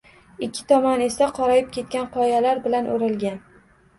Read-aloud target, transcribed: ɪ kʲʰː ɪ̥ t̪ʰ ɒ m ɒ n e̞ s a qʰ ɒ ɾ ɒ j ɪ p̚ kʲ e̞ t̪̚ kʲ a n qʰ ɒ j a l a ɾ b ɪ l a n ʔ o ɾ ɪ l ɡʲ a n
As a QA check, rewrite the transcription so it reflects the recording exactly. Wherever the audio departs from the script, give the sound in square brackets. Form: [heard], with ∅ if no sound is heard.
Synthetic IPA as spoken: ɪ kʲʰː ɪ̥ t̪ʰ ɒ m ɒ n e̞ s a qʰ ɒ ɾ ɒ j ɪ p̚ kʲ e̞ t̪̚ kʲ a n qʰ ɒ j a l a ɾ b ɪ l a n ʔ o ɾ ɪ l ɡʲ a n

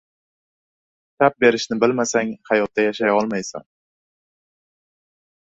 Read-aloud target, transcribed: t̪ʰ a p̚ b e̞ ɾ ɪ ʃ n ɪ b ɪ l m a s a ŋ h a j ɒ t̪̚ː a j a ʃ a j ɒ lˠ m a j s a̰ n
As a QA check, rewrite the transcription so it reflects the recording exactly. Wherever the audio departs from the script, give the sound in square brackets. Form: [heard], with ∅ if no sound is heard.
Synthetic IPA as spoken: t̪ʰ a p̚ b e̞ ɾ ɪ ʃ n ɪ b ɪ l m a s a ŋ h a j ɒ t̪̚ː a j a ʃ a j ɒ lˠ m a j s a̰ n

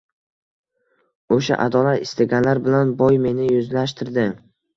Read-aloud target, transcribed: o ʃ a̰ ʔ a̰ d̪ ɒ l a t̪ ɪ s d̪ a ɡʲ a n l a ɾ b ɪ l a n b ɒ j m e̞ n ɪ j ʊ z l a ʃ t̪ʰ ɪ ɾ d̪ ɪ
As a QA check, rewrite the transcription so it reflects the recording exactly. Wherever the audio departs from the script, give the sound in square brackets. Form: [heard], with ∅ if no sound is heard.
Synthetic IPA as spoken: o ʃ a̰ ʔ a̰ d̪ ɒ l a t̪ ɪ s [t̪] a ɡʲ a n l a ɾ b ɪ l a n b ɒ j m e̞ n ɪ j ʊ z l a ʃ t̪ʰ ɪ ɾ d̪ ɪ

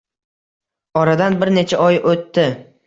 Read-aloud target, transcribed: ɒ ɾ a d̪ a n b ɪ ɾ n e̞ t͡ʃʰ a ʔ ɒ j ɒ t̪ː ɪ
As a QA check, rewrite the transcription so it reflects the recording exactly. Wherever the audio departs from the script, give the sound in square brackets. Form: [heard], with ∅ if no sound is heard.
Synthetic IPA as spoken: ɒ ɾ a d̪ a n b ɪ ɾ n e̞ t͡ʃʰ a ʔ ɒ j [o] t̪ː ɪ

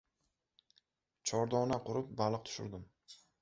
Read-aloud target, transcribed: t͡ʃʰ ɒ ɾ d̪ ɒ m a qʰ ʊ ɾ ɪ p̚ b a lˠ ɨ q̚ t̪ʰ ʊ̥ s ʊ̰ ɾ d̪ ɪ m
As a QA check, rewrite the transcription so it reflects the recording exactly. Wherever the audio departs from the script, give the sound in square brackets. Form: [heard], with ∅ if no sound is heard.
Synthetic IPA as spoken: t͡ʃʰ ɒ ɾ d̪ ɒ [n] a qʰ ʊ ɾ ɪ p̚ b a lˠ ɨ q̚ t̪ʰ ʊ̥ [ʃ] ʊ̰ ɾ d̪ ɪ m

